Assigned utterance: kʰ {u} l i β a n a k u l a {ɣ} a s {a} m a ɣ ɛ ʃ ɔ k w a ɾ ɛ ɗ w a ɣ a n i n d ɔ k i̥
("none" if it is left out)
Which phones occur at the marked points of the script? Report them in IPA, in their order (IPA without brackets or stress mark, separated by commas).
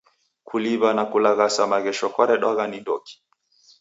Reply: u, ɣ, a